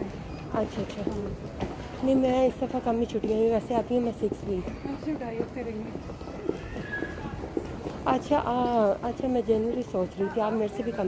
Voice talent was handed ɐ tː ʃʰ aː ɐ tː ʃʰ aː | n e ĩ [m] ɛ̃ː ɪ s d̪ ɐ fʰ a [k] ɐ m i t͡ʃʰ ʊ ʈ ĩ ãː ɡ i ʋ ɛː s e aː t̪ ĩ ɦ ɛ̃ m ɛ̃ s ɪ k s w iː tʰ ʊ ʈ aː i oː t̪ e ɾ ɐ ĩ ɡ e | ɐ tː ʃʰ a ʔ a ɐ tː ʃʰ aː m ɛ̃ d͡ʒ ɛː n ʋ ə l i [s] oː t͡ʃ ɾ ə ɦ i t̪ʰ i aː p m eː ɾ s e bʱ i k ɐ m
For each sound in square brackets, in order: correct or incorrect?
correct, correct, correct

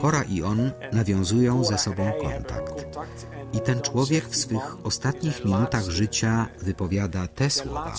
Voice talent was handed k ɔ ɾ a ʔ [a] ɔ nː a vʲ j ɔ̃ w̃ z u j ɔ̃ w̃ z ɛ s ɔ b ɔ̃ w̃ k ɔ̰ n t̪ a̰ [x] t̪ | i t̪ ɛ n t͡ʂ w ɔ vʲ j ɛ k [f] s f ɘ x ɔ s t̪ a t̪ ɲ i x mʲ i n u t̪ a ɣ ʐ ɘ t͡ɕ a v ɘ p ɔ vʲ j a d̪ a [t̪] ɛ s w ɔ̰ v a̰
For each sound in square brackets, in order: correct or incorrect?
incorrect: i, incorrect: k, correct, correct

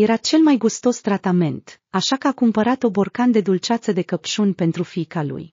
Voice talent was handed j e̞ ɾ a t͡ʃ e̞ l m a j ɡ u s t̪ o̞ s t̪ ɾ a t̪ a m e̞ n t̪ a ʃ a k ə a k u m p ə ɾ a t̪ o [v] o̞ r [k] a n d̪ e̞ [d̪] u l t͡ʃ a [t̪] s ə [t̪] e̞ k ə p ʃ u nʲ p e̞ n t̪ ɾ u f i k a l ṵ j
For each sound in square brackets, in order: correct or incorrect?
incorrect: b, correct, correct, correct, incorrect: d̪

